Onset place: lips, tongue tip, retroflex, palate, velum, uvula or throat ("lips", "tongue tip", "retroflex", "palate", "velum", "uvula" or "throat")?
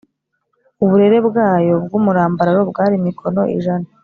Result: lips